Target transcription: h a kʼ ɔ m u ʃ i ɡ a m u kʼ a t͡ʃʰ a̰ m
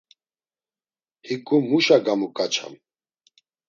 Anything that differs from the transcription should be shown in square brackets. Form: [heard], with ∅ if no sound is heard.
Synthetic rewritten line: h [i] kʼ [u] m u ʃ [a] ɡ a m u kʼ a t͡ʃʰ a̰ m